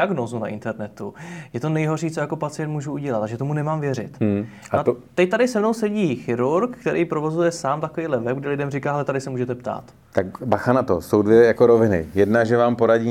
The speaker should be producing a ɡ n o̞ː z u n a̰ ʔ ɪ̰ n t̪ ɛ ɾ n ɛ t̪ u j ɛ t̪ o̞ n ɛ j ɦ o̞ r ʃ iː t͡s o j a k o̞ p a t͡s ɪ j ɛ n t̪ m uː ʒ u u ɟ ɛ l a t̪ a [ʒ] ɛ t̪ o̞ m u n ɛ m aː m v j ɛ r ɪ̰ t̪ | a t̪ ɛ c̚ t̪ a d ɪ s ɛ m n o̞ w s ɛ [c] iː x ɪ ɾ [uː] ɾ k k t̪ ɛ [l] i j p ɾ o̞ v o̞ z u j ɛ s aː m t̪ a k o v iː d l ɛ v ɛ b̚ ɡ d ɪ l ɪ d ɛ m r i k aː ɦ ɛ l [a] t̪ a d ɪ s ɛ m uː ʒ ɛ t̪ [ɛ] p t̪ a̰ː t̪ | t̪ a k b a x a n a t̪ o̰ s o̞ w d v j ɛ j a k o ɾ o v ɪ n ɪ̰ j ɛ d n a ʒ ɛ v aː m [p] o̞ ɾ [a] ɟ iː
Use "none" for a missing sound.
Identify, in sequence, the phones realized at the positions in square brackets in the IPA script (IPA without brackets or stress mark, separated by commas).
ʒ, ɟ, u, ɾ, ɛ, ɛ, p, a